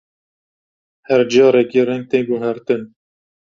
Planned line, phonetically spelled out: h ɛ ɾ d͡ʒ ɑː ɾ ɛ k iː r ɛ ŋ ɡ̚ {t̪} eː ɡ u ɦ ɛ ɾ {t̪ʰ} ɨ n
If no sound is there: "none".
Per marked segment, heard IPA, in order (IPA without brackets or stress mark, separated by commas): t̪, t̪